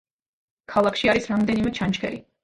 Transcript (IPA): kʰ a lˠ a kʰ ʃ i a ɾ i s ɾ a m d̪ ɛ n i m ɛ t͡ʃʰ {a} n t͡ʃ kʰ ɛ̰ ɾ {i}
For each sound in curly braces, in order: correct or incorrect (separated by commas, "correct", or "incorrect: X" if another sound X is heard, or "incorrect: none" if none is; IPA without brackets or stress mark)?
correct, correct